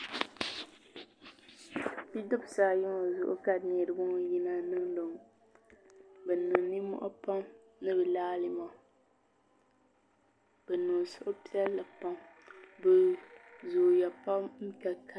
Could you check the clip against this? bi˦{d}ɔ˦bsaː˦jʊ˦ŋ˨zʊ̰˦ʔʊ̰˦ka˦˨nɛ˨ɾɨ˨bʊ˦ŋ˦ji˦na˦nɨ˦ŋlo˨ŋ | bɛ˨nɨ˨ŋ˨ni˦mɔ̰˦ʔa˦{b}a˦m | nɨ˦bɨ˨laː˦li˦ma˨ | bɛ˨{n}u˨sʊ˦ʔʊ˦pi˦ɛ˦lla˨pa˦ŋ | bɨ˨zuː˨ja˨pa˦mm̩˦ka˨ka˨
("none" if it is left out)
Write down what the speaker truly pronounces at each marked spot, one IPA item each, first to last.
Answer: d, p, n

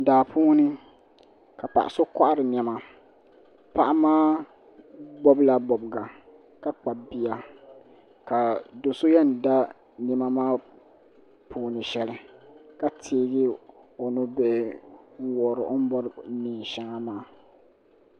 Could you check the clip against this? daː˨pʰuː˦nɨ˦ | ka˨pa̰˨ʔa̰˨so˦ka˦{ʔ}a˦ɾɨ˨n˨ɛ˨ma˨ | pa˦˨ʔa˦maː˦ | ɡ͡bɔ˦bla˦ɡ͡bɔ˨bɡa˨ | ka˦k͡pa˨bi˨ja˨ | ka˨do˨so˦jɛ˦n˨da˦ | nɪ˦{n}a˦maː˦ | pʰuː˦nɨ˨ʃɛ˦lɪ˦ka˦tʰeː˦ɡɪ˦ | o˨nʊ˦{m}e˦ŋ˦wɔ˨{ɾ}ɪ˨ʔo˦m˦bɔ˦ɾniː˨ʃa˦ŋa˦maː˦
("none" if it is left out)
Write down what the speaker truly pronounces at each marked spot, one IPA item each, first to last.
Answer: ʔ, m, b, ɾ

